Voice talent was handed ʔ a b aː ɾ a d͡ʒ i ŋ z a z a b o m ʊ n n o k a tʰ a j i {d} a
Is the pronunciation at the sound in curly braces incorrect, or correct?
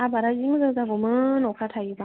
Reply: incorrect